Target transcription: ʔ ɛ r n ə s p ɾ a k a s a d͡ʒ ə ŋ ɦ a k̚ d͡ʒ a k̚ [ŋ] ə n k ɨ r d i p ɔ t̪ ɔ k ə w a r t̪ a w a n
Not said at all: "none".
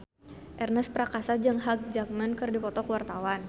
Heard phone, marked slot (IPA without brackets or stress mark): m